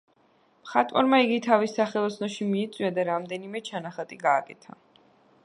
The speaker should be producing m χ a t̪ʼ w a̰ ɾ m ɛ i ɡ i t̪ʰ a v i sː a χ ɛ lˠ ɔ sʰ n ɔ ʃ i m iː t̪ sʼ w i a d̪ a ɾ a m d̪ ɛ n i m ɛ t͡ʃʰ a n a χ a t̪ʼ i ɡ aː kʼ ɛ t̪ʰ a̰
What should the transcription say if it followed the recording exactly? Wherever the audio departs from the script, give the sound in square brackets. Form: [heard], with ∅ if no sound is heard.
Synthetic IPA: m χ a t̪ʼ w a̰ ɾ m [a] i ɡ i t̪ʰ a v i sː a χ ɛ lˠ ɔ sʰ n ɔ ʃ i m iː t̪ sʼ w i a d̪ a ɾ a m d̪ ɛ n i m ɛ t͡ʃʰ a n a χ a t̪ʼ i ɡ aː kʼ ɛ t̪ʰ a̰